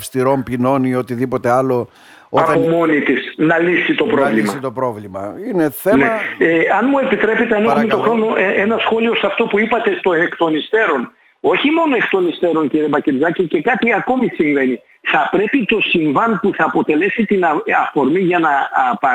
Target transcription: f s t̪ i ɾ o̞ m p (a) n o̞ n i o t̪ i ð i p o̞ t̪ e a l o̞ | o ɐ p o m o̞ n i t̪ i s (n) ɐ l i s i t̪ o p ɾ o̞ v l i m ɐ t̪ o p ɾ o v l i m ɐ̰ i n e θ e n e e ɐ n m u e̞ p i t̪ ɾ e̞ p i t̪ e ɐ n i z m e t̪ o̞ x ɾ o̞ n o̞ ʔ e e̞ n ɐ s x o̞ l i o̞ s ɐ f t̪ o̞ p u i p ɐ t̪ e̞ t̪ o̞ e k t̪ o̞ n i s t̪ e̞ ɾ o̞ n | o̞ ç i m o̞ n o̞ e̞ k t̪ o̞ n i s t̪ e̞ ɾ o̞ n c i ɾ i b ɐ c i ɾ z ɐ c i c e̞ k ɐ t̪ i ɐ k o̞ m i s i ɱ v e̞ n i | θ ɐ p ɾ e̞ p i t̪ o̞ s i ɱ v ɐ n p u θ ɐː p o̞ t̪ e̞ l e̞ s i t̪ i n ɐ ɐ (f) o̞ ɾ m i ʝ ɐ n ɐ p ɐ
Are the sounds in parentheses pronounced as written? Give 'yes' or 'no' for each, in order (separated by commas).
no, yes, yes